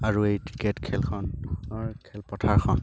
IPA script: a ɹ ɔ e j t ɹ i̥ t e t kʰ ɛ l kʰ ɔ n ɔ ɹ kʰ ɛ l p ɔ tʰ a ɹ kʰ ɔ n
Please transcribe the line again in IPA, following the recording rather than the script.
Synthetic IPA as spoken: a ɹ u e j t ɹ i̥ k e t kʰ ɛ l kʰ ɔ n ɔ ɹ kʰ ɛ l p ɔ tʰ a ɹ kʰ ɔ n